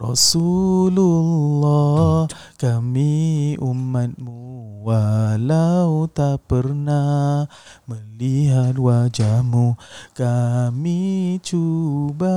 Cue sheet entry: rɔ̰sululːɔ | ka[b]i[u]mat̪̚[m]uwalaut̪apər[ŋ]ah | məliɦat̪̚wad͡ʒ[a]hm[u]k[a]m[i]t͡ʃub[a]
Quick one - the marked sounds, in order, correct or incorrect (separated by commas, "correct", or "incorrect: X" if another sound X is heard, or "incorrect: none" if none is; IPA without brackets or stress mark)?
incorrect: m, correct, correct, incorrect: n, correct, correct, correct, correct, correct